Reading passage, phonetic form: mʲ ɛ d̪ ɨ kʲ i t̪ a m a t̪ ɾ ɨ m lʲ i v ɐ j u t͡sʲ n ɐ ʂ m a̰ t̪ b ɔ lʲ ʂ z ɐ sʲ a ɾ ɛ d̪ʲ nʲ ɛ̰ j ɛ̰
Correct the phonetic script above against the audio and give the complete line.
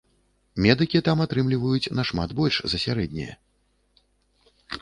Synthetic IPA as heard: mʲ ɛ d̪ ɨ kʲ i t̪ a m a t̪ ɾ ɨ m lʲ i v ɐ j u t͡sʲ n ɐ ʂ m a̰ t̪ b ɔ lʲ ʂ z ɐ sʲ a ɾ ɛ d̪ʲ nʲ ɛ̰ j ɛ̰